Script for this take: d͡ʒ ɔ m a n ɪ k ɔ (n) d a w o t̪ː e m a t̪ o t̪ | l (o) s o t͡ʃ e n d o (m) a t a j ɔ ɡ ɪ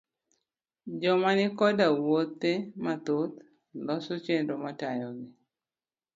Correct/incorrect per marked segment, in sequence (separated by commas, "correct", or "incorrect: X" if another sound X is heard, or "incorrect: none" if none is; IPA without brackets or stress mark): incorrect: none, incorrect: ɔ, correct